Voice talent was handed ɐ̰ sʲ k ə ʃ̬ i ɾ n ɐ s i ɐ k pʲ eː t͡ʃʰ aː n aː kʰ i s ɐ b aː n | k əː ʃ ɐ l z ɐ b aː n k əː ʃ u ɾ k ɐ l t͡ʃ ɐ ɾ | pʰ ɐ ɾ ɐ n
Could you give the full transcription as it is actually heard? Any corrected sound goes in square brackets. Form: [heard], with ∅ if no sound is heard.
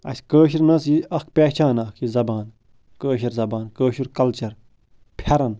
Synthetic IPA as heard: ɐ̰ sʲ k [əː] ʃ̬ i ɾ n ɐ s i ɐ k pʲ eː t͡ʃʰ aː n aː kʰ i [z] ɐ b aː n | k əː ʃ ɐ [ɾ] z ɐ b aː n k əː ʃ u ɾ k ɐ l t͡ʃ ɐ ɾ | pʰ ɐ ɾ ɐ n